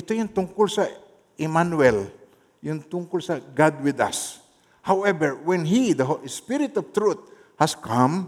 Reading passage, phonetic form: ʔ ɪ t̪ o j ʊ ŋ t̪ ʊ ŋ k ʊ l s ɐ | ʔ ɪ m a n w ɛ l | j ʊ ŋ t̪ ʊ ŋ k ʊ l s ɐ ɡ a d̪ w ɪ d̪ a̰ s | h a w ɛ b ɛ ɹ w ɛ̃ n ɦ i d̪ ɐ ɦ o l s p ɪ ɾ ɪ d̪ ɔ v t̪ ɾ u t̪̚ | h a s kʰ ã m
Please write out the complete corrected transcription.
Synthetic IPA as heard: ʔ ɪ t̪ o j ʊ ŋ t̪ ʊ ŋ k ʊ l s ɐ | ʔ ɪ m a n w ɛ l | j ʊ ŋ t̪ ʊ ŋ k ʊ l s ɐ ɡ a d̪ w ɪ d̪ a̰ s | h a w ɛ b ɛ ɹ w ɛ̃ n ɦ i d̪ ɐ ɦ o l s p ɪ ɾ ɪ t̪ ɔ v t̪ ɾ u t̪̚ | h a s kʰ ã m